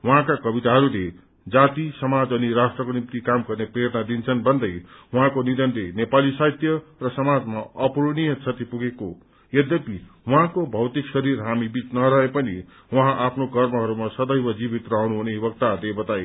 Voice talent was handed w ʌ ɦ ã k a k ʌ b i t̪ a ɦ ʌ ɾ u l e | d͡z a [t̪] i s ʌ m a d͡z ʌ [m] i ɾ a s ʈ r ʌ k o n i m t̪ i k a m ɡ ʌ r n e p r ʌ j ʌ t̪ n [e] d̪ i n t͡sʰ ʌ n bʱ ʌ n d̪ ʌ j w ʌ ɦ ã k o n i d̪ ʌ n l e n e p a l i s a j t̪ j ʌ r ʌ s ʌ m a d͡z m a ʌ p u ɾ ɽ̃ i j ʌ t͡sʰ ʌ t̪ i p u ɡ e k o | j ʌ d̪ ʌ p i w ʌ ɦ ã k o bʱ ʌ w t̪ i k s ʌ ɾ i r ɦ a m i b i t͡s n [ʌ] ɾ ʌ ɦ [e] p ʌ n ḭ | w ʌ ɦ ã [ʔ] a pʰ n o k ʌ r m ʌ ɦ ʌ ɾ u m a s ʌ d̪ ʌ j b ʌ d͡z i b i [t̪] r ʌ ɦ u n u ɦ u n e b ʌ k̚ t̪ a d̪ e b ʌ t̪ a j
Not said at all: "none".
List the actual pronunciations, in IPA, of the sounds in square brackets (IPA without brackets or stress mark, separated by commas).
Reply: t̪, n, a, ʌ, e, ʔ, t̪